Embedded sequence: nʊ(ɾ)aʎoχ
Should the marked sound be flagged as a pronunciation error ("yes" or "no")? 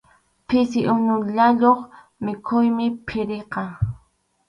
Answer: yes